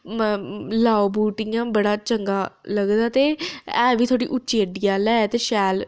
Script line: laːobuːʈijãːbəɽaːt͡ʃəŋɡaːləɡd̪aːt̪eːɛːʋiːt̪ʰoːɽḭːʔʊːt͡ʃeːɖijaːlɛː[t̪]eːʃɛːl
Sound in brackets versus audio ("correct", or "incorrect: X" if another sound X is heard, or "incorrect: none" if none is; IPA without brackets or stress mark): correct